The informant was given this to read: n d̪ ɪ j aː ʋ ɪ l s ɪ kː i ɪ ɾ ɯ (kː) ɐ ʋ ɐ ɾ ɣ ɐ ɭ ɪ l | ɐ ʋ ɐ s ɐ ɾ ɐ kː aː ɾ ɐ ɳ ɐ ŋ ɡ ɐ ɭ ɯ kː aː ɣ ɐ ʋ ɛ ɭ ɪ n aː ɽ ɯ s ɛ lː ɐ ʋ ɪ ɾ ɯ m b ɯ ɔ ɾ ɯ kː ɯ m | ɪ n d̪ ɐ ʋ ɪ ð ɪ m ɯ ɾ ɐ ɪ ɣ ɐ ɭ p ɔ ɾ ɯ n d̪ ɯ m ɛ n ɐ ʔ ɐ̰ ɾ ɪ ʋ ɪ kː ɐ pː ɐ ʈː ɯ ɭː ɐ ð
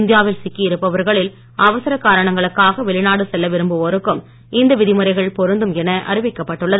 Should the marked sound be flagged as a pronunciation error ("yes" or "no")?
yes